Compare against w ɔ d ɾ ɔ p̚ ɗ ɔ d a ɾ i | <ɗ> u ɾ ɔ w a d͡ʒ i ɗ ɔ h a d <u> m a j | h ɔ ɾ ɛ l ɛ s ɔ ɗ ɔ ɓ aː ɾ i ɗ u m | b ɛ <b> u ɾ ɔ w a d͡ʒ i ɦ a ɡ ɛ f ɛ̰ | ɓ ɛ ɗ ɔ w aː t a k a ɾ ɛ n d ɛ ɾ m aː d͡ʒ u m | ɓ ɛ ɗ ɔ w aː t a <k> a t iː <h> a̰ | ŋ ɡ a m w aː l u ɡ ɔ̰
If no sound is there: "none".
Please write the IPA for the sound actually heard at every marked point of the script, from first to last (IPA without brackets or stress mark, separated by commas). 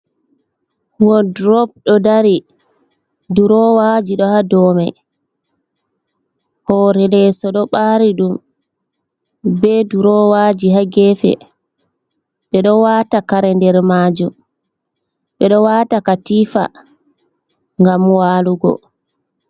d, ɔ, d, k, f